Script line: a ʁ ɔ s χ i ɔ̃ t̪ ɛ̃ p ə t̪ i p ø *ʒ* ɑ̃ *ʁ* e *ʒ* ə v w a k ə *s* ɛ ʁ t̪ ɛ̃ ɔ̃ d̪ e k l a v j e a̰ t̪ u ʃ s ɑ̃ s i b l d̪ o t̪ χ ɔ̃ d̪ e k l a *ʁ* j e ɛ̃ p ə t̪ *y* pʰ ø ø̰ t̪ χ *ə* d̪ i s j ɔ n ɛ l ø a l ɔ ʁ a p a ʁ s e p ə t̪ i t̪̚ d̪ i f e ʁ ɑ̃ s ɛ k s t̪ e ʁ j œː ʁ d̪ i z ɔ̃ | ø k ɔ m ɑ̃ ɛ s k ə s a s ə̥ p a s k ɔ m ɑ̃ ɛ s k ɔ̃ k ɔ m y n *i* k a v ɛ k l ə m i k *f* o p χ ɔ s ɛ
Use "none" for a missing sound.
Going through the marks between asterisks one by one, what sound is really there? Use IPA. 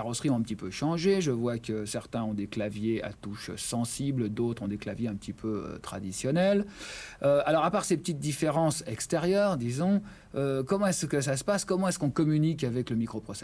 ʃ, ʒ, ʒ, s, v, i, a, i, χ

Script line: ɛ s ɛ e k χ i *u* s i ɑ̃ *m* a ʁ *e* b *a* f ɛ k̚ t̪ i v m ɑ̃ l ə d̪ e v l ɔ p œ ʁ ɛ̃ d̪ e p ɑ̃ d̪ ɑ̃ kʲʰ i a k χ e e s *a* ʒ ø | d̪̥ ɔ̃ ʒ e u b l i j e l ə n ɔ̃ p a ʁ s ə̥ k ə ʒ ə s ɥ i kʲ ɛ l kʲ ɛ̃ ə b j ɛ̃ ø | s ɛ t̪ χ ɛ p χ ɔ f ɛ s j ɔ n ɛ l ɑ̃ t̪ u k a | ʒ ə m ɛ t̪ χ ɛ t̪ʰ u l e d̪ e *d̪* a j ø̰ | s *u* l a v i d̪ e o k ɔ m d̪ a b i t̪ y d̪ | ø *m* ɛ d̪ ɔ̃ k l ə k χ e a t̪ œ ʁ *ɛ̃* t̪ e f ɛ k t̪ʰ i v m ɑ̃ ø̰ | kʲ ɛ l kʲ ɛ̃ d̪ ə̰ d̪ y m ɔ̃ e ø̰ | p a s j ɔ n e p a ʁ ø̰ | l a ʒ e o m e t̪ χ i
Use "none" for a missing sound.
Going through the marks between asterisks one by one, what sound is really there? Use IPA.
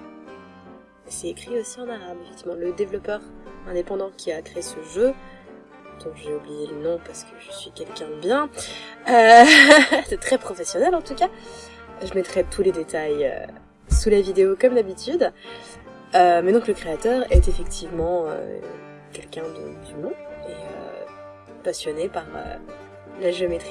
o, n, a, e, ə, t̪, u, m, ɛ

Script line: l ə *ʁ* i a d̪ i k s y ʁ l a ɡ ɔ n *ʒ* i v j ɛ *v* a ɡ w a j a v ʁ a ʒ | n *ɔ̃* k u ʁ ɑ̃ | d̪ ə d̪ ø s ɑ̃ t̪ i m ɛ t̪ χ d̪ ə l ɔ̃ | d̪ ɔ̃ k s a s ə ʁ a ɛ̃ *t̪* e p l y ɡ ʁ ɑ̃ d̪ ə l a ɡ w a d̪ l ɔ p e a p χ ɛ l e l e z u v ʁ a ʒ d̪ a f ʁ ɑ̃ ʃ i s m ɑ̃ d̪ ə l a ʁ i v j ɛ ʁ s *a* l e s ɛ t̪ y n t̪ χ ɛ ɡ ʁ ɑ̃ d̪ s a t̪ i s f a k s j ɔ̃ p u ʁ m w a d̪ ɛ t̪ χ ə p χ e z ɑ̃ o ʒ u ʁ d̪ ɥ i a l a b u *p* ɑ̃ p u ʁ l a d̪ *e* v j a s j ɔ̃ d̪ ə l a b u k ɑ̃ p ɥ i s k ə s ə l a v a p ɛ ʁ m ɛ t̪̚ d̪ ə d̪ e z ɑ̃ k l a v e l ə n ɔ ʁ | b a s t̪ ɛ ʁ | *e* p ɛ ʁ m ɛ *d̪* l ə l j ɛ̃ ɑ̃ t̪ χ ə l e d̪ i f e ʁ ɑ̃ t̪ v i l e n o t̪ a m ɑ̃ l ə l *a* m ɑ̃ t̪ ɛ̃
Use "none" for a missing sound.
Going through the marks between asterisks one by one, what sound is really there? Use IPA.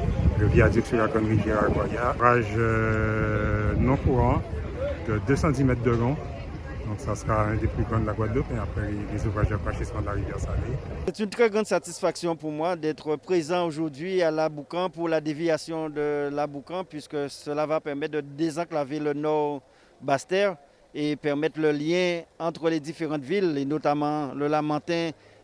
v, ʁ, ʁ, ɔ̃, d̪, a, k, e, e, t̪, a

